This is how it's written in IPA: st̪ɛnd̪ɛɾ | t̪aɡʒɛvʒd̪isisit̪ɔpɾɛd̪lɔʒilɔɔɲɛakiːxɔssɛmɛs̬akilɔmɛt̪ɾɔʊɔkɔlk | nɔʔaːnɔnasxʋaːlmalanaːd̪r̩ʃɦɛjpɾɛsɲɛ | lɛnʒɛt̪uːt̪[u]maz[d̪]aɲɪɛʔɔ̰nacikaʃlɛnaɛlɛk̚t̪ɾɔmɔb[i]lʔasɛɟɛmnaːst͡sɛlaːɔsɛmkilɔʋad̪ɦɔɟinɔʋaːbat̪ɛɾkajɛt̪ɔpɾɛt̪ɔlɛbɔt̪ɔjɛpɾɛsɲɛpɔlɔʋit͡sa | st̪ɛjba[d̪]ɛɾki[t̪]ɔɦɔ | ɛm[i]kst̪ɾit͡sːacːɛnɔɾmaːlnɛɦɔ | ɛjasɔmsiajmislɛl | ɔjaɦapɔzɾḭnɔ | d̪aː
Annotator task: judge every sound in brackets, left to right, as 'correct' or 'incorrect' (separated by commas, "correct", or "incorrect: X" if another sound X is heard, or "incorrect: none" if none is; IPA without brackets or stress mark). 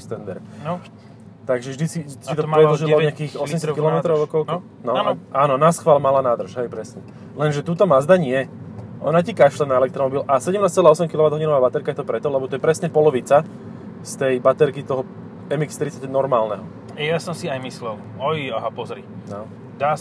incorrect: ɔ, correct, correct, incorrect: t̪, correct, correct